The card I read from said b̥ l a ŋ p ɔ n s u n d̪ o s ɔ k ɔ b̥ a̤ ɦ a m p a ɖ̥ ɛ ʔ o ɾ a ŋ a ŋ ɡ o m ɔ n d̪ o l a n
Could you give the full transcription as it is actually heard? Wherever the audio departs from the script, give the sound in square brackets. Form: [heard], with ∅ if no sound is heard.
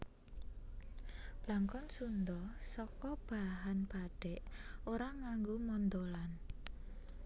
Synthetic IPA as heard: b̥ l a ŋ [k] ɔ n s u n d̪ [ɔ] s ɔ k ɔ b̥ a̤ ɦ a [n] p a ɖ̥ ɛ ʔ o ɾ a ŋ a ŋ ɡ o m ɔ n d̪ o l a n